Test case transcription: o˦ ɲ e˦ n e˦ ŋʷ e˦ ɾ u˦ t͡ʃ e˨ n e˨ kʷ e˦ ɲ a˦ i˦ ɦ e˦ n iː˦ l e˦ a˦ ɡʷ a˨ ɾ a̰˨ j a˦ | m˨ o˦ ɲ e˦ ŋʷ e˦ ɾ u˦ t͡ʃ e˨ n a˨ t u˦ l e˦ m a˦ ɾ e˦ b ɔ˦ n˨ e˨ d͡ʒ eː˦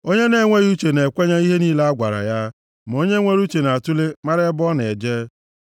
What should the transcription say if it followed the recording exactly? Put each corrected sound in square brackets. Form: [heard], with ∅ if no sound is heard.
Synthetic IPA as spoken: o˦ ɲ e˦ n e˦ ŋʷ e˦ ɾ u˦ t͡ʃ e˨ n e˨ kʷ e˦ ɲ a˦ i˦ ɦ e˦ n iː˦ l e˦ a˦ ɡʷ a˨ ɾ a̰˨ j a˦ | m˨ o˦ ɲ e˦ ŋʷ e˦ ɾ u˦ t͡ʃ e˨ n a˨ t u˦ l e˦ m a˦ ɾ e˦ b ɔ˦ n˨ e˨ d͡ʒ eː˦